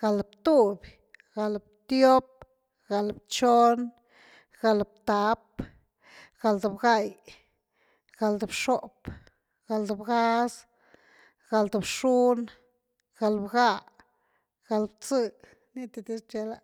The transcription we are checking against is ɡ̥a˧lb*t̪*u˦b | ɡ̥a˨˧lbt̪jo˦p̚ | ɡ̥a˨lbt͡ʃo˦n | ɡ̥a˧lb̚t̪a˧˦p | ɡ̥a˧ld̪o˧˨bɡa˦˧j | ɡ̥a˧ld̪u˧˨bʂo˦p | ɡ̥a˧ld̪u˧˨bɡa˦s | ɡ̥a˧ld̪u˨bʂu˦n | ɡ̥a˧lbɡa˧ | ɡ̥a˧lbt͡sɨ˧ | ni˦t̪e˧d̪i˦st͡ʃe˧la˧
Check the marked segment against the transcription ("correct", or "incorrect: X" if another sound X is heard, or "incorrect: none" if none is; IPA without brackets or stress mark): correct